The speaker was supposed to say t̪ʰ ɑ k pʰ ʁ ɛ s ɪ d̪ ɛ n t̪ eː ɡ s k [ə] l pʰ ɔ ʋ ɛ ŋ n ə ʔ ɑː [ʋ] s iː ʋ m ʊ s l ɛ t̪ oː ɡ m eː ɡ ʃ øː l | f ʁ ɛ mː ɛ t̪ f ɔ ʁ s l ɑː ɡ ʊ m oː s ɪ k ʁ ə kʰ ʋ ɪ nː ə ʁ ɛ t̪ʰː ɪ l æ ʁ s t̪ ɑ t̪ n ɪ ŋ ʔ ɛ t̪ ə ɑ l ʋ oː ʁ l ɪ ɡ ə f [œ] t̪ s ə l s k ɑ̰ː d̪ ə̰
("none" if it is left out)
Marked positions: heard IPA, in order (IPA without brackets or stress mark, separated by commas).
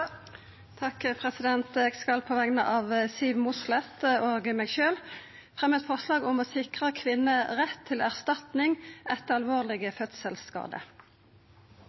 ɑ, ʋ, œ